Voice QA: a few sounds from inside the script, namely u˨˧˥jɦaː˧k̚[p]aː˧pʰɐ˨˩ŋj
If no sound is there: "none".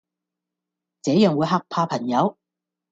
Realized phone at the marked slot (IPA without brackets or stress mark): pʰ